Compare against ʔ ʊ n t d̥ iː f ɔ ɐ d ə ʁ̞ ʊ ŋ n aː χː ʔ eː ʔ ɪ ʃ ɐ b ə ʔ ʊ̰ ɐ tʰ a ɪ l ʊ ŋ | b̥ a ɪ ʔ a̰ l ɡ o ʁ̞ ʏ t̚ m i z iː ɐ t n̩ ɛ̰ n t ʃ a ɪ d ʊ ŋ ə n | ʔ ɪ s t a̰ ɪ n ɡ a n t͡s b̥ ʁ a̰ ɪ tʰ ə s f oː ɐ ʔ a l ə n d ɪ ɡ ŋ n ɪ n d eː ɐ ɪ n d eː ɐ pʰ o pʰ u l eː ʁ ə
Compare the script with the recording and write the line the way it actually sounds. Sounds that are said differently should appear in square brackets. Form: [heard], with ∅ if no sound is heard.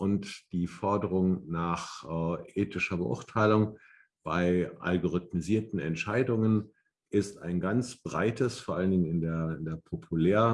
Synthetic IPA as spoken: ʔ ʊ n t d̥ iː f ɔ ɐ d ə ʁ̞ ʊ ŋ n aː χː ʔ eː [t] ɪ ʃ ɐ b ə ʔ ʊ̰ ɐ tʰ a ɪ l ʊ ŋ | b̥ a ɪ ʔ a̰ l ɡ o ʁ̞ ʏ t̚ m i z iː ɐ t n̩ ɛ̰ n t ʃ a ɪ d ʊ ŋ ə n | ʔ ɪ s t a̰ ɪ n ɡ a n t͡s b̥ ʁ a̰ ɪ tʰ ə s f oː ɐ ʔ a l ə n d ɪ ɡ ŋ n ɪ n d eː ɐ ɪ n d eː ɐ pʰ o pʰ u l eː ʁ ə